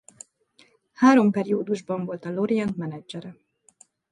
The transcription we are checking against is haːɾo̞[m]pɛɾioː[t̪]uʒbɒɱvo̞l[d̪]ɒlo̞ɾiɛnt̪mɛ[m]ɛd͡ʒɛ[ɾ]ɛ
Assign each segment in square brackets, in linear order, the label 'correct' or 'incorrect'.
correct, incorrect, incorrect, incorrect, correct

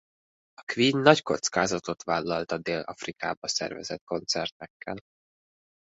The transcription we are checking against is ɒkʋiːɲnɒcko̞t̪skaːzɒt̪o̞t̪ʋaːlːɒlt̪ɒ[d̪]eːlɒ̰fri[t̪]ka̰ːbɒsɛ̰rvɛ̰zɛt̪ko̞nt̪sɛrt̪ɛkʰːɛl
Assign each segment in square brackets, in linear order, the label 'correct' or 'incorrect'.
correct, incorrect

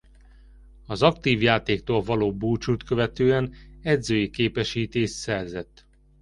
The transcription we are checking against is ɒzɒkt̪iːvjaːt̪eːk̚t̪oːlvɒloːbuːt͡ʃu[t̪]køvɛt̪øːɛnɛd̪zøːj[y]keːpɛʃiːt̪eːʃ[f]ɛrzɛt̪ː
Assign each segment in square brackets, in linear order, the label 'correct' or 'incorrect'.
correct, incorrect, incorrect

